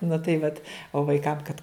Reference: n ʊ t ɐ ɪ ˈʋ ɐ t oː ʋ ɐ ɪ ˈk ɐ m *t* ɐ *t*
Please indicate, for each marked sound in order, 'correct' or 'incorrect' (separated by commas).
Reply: incorrect, correct